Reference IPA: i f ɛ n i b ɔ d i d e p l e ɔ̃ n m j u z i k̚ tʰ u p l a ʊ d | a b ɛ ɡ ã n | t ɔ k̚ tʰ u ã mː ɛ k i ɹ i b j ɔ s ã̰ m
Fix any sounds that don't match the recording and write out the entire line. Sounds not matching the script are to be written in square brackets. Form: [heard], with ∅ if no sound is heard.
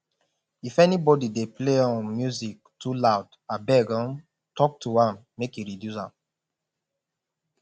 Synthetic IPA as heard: i f ɛ n i b ɔ d i d e p l e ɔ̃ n m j u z i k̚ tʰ u [∅] l a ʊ d | a b ɛ ɡ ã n | t ɔ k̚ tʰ u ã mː [e] k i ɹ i [d] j [u] s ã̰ m